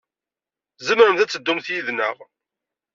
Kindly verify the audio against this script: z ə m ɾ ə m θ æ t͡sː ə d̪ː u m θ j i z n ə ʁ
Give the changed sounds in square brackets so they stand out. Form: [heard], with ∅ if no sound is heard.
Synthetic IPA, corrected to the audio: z ə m ɾ ə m θ æ t͡sː ə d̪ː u m θ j i [ð] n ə ʁ